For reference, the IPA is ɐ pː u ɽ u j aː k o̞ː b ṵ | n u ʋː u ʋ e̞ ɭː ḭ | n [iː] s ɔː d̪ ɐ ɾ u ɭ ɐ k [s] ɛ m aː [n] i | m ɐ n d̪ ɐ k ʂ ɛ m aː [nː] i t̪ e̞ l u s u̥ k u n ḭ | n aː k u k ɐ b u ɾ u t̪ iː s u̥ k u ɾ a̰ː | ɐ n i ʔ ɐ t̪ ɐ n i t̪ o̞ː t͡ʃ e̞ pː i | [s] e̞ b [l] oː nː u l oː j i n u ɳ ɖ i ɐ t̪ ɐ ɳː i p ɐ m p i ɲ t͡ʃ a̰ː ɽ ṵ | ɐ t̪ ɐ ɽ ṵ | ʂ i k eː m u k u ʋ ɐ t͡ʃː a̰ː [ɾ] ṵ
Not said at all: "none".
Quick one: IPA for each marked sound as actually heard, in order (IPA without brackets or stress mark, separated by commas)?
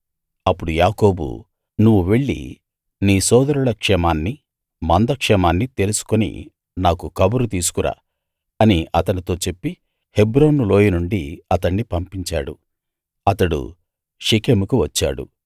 iː, ʂ, nː, nː, h, ɾ, ɽ